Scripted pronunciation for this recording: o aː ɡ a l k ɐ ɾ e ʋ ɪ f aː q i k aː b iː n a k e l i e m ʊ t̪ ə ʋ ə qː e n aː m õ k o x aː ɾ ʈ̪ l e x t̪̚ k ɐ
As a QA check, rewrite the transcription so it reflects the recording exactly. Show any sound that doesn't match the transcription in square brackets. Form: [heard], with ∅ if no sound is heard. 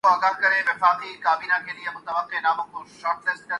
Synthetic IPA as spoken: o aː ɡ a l k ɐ ɾ e ʋ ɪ f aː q i k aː b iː n a k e l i e m ʊ t̪ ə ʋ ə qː e n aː m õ k o [ʃ] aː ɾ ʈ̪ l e [s] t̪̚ k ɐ